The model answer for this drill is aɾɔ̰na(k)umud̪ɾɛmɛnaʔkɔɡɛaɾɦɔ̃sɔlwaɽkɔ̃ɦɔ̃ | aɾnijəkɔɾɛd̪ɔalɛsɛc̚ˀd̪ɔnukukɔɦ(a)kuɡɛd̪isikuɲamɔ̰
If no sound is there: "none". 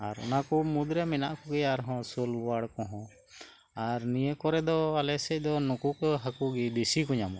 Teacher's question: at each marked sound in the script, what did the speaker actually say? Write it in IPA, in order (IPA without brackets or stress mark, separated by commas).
k, a